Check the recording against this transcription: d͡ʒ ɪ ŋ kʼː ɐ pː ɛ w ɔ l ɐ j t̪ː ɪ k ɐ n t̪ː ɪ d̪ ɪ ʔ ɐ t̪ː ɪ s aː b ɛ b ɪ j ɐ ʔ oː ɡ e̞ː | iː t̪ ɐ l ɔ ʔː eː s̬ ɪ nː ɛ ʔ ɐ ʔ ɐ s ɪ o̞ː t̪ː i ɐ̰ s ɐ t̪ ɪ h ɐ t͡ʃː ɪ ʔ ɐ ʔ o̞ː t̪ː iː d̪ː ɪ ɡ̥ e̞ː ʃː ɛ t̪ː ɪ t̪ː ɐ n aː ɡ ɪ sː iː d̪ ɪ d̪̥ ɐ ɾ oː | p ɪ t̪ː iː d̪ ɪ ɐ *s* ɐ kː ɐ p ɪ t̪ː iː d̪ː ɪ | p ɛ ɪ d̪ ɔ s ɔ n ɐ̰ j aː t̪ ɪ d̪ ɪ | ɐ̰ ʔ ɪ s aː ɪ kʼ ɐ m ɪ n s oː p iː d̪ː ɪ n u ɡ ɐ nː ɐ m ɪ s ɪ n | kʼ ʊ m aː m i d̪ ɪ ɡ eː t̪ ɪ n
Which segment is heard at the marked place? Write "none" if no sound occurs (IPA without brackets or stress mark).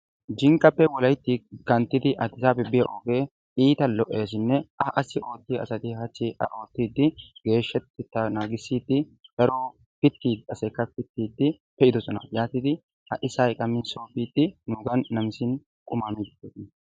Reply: s